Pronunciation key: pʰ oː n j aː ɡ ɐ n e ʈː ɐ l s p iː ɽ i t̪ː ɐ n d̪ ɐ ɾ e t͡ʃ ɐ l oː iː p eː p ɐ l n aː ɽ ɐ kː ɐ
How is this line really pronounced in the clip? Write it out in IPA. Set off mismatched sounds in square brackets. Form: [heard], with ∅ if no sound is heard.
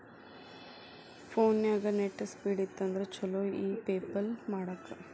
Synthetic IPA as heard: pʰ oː n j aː ɡ ɐ n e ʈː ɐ [∅] s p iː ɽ i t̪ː ɐ n d̪ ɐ ɾ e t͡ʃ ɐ l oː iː p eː p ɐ l [m] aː ɽ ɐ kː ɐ